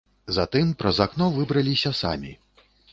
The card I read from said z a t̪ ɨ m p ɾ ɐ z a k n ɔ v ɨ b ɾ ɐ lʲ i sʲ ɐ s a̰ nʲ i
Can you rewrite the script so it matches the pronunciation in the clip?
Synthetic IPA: z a t̪ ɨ m p ɾ ɐ z a k n ɔ v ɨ b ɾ ɐ lʲ i sʲ ɐ s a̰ mʲ i

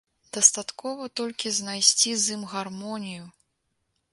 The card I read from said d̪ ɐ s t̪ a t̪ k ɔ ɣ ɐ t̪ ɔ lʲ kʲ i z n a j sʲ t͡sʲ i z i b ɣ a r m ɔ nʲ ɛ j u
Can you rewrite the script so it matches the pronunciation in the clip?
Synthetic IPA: d̪ ɐ s t̪ a t̪ k ɔ v ɐ t̪ ɔ lʲ kʲ i z n a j sʲ t͡sʲ i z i m ɣ a r m ɔ nʲ i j u

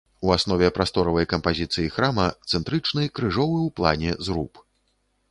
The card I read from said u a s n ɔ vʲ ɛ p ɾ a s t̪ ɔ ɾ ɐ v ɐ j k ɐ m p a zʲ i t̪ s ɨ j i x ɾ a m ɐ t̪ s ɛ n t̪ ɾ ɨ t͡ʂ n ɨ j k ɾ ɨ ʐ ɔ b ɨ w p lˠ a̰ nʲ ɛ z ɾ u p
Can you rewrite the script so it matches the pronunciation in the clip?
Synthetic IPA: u a s n ɔ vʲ ɛ p ɾ a s t̪ ɔ ɾ ɐ v ɐ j k ɐ m p a zʲ i t̪ s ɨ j i x ɾ a m ɐ t̪ s ɛ n t̪ ɾ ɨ t͡ʂ n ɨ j k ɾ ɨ ʐ ɔ v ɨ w p lˠ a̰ nʲ ɛ z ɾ u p

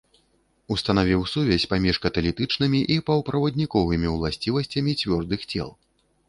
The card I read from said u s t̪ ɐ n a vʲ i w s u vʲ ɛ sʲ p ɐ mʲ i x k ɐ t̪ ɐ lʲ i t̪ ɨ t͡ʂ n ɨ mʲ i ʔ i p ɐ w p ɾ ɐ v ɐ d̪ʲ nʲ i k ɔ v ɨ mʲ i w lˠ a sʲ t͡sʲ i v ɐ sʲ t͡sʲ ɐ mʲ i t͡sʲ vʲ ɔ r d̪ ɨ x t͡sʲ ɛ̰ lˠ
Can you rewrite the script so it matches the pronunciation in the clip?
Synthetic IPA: u s t̪ ɐ n a vʲ i w s u vʲ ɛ sʲ p a mʲ i ʂ k ɐ t̪ ɐ lʲ i t̪ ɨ t͡ʂ n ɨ mʲ i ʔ i p ɐ w p ɾ ɐ v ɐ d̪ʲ nʲ i k ɔ v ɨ mʲ i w lˠ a sʲ t͡sʲ i v ɐ sʲ t͡sʲ ɐ mʲ i t͡sʲ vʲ ɔ r d̪ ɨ x t͡sʲ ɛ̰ lˠ

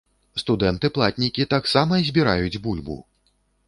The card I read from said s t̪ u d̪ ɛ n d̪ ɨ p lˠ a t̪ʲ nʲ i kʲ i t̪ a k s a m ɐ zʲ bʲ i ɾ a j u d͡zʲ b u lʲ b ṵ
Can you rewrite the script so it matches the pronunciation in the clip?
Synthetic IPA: s t̪ u d̪ ɛ n t̪ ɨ p lˠ a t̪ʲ nʲ i kʲ i t̪ a k s a m ɐ zʲ bʲ i ɾ a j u d͡zʲ b u lʲ b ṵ

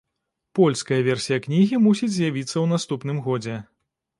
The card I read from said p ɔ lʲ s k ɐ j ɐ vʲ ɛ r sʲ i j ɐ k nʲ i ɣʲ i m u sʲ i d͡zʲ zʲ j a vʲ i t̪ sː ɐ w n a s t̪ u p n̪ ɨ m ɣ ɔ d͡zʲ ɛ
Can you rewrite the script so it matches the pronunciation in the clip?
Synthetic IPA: p ɔ lʲ s k ɐ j ɐ vʲ ɛ r sʲ i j ɐ k nʲ i ɣʲ i m u sʲ i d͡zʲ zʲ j a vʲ i t̪ sː ɐ w n a s t̪ u p n̪ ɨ m ɣ ɔ d͡zʲ ɛ

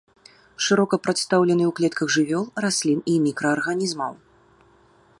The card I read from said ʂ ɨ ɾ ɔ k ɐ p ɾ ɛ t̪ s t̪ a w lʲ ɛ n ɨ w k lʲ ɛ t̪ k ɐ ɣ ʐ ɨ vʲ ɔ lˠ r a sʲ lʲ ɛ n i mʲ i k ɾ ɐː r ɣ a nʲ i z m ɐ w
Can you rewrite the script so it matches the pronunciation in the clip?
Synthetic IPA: ʂ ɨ ɾ ɔ k ɐ p ɾ a t̪ s t̪ a w lʲ ɛ n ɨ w k lʲ ɛ t̪ k ɐ ɣ ʐ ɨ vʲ ɔ lˠ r a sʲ lʲ i n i mʲ i k ɾ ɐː r ɣ a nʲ i z m ɐ w

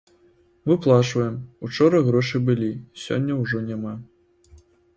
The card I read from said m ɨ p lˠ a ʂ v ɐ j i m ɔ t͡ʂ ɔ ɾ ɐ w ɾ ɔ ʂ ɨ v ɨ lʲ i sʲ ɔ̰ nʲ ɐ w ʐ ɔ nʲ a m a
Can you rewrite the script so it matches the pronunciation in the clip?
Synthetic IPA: m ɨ p lˠ a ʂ v ɐ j ɛ m u t͡ʂ ɔ ɾ ɐ ɣ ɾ ɔ ʂ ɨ b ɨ lʲ i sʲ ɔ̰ nʲː ɐ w ʐ ɔ nʲ a m a

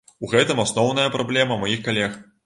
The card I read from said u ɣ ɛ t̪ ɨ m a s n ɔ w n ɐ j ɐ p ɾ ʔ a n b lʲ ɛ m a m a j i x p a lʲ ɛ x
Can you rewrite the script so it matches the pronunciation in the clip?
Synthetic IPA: u ɣ ɛ t̪ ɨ m a s n ɔ w n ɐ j ɐ p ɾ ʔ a b lʲ ɛ m ɐ m a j i x k a lʲ ɛ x

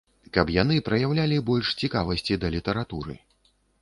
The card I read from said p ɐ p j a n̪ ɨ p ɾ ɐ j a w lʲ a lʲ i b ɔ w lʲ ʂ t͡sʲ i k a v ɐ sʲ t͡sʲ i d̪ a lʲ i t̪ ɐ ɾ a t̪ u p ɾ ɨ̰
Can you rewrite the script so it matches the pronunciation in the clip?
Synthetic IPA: k ɐ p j a n̪ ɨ p ɾ ɐ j a w lʲ a lʲ i b ɔ lʲ ʂ t͡sʲ i k a v ɐ sʲ t͡sʲ i d̪ ɐ lʲ i t̪ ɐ ɾ a t̪ u ɾ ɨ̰

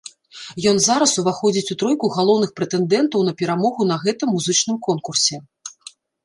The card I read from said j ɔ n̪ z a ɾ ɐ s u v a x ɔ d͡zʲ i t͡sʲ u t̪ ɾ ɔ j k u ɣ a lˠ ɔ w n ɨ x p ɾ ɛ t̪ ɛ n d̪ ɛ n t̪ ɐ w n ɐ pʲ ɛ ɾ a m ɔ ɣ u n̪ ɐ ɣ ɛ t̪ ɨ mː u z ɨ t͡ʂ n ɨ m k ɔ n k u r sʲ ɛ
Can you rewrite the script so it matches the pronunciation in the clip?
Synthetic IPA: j ɔ n̪ z a ɾ ɐ s u v a x ɔ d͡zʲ i t͡sʲ u t̪ ɾ ɔ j k u ɣ a lˠ ɔ w n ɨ x p ɾ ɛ t̪ ɛ n d̪ ɛ n t̪ ɐ w n ɐ pʲ ɛ ɾ a m ɔ ɣ u n̪ ɐ ɣ ɛ t̪ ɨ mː u z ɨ t͡ʂ n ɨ m k ɔ n k u r sʲ ɛ

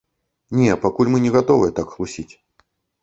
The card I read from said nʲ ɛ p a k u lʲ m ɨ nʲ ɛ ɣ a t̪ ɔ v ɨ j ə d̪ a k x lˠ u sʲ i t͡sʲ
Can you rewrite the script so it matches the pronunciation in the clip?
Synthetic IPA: nʲ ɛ p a k u lʲ m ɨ nʲ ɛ ɣ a t̪ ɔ v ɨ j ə t̪ a k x lˠ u sʲ i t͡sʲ

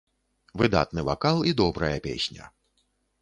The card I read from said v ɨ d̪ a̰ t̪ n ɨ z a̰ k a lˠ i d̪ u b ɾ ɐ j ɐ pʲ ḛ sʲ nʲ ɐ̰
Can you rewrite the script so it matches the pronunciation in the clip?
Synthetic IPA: v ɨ d̪ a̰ t̪ n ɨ v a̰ k a lˠ i d̪ ɔ b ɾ ɐ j ɐ pʲ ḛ sʲ nʲ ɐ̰

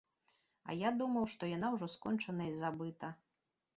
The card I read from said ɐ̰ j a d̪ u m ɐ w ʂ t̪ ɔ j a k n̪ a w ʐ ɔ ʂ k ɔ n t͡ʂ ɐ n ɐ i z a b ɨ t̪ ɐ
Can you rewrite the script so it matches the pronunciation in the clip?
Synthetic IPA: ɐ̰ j a d̪ u m ɐ w ʂ t̪ ɔ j a n̪ a w ʐ ɔ s k ɔ n t͡ʂ ɐ n ɐ i z a b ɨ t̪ ɐ

